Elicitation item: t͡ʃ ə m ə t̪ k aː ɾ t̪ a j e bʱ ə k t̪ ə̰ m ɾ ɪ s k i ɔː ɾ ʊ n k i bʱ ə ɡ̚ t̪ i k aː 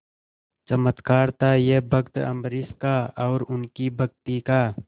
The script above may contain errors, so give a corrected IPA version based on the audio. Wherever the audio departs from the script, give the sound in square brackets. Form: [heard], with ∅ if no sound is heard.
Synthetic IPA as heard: t͡ʃ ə m ə t̪ k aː ɾ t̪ a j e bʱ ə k t̪ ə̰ m ɾ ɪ s k [a] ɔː ɾ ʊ n k i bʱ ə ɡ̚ t̪ i k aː